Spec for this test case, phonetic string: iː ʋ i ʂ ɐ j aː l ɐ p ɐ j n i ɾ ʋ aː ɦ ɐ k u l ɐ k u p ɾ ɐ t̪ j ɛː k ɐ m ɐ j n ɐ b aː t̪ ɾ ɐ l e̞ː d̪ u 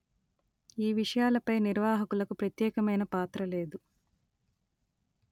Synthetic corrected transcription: iː ʋ i ʂ ɐ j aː l ɐ p ɐ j n i ɾ ʋ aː ɦ ɐ k u l ɐ k u p ɾ ɐ t̪ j ɛː k ɐ m ɐ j n ɐ p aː t̪ ɾ ɐ l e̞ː d̪ u

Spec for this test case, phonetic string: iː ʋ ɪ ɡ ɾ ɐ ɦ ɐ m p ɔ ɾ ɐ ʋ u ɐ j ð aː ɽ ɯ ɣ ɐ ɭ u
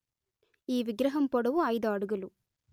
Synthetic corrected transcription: iː ʋ ɪ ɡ ɾ ɐ ɦ ɐ m p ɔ ɽ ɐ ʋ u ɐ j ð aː ɽ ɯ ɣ ɐ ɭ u

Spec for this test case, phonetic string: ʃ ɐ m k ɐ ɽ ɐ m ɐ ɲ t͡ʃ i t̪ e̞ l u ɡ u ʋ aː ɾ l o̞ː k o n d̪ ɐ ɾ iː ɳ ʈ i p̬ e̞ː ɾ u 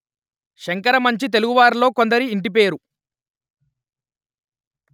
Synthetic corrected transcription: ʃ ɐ ŋ k ɐ ɾ ɐ m ɐ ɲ t͡ʃ i t̪ e̞ l u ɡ u ʋ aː ɾ l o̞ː k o n d̪ ɐ ɾ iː ɳ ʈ i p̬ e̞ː ɾ u

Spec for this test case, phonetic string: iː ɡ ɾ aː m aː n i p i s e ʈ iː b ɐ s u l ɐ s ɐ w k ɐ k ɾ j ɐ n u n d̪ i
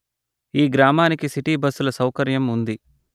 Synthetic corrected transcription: iː ɡ ɾ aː m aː n i k i s i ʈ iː b ɐ s u l ɐ s ɐ w k ɐ ɾ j ɐ m u n d̪ i

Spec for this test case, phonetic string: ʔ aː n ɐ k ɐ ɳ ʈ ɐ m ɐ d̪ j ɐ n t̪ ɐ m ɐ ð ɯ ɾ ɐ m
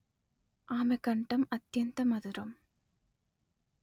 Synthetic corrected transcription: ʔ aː m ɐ k ɐ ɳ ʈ ɐ m ɐ t̪ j ɐ n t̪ ɐ m ɐ ð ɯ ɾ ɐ m

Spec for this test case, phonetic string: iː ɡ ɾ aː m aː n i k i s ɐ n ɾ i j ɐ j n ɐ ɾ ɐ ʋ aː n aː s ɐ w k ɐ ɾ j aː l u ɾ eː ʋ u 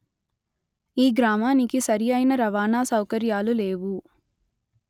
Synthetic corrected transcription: iː ɡ ɾ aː m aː n i k i s ɐ ɾ i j ɐ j n ɐ ɾ ɐ ʋ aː n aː s ɐ w k ɐ ɾ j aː l u l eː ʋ u

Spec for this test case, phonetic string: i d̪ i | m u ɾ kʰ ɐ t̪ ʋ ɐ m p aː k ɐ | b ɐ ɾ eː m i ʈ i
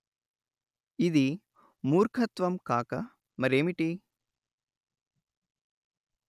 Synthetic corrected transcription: i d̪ i | m uː ɾ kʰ ɐ t̪ ʋ ɐ m k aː k ɐ | m ɐ ɾ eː m i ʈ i

